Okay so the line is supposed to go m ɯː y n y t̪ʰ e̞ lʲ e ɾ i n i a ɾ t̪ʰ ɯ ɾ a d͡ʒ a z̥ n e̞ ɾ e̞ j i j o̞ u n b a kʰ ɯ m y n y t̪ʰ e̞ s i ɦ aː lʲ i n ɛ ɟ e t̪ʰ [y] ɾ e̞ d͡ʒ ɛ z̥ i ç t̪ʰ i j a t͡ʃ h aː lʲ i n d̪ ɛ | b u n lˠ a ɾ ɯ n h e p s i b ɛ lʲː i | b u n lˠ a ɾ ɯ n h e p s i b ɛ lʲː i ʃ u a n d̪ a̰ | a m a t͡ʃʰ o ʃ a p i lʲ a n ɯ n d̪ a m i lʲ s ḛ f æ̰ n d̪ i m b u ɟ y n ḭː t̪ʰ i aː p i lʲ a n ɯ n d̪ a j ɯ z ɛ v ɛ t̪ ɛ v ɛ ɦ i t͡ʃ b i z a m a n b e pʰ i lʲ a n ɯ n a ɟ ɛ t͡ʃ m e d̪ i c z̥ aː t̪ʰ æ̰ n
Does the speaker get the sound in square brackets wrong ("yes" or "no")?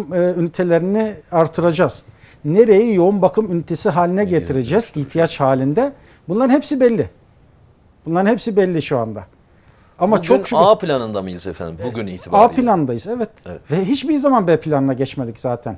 yes